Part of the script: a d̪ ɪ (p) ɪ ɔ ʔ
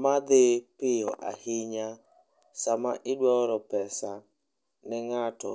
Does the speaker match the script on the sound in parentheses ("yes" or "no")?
yes